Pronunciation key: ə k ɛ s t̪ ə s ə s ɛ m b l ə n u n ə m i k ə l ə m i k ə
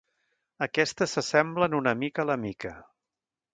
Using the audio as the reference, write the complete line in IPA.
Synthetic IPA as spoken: ə k ɛ s t̪ ə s ə s ɛ m b l ə n u n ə m i k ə l ə m i k ə